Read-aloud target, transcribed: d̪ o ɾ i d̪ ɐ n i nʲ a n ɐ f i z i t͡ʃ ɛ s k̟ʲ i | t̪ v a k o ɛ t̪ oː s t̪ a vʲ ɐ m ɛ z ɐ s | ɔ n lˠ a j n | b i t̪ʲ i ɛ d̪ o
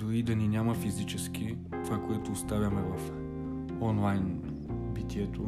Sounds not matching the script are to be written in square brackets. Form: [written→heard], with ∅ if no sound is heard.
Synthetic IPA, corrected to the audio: d̪ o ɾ i d̪ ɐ n i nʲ a [n→m] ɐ f i z i t͡ʃ ɛ s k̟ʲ i | t̪ v a k o ɛ t̪ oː s t̪ a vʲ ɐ m ɛ [z→v] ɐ [s→f] | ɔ n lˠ a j n | b i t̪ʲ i ɛ [d̪→t̪] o